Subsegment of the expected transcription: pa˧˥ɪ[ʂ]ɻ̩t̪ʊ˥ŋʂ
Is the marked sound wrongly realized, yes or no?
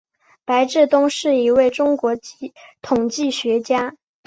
yes